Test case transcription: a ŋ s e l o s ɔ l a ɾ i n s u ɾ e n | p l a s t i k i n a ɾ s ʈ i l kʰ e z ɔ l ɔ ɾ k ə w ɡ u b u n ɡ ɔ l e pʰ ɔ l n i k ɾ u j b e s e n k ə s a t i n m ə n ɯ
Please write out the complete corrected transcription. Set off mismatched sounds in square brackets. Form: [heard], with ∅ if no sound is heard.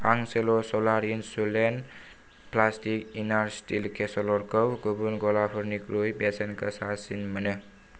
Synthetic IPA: a ŋ s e l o s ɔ l a ɾ i n s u [l] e n | p l a s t i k i n a ɾ s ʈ i l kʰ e [s] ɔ l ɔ ɾ k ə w ɡ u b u n ɡ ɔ l [a] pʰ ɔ [ɾ] n i k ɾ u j b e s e n k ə s a [s] i n m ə n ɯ